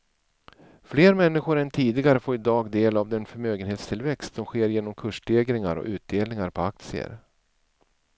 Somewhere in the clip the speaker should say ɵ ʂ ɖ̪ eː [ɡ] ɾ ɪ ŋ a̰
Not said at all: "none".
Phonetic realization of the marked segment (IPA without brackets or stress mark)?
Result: ɡ